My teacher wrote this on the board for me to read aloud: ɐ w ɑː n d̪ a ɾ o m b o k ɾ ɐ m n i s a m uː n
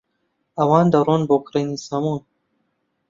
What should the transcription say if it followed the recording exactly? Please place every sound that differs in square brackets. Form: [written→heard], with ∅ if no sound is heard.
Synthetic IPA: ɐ w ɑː n d̪ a ɾ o [m→n] b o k ɾ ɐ [m→∅] n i s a m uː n